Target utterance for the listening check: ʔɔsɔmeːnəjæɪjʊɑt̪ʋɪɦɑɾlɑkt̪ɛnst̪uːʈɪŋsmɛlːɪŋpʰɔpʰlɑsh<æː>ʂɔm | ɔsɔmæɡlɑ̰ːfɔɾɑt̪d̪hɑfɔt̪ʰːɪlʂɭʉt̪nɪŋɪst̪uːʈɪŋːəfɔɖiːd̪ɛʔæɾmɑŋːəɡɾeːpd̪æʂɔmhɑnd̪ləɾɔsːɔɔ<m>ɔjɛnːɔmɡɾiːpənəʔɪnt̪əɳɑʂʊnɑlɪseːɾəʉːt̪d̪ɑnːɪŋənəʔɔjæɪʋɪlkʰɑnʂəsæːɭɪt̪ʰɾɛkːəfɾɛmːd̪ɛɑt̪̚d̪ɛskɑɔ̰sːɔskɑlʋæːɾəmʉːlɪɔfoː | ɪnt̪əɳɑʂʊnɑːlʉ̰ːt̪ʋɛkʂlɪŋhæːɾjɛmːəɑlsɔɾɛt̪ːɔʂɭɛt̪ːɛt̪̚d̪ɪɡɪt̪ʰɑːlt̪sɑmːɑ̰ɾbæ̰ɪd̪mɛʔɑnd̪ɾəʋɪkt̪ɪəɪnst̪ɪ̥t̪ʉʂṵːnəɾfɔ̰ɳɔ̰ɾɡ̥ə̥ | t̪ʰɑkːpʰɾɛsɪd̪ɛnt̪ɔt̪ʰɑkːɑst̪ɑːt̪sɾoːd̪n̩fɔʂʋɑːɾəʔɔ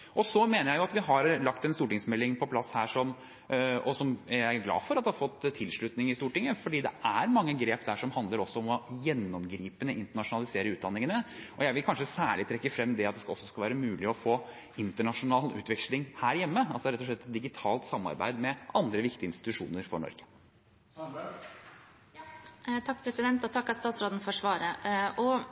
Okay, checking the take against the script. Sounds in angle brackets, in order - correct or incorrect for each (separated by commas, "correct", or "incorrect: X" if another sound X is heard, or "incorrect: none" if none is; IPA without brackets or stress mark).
correct, correct